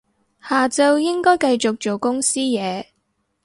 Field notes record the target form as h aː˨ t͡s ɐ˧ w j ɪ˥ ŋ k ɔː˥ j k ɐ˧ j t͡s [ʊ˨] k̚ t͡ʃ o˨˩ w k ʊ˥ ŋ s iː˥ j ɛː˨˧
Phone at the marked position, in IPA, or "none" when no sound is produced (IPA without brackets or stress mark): ʊ˨